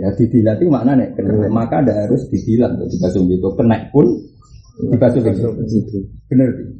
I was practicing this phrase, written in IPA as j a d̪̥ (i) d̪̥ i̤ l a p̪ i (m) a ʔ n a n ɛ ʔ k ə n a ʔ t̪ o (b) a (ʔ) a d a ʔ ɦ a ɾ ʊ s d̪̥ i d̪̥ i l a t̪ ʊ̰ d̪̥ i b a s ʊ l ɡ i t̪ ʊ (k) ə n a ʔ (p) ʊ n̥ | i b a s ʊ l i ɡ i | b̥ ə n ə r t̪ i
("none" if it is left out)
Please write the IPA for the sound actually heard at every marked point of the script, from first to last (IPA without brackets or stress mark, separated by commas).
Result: i, m, m, k, k, p